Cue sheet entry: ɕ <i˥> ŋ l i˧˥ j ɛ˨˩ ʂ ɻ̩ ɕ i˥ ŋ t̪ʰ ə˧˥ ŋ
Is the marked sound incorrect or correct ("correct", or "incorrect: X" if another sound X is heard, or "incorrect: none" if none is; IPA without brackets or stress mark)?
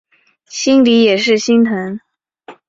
correct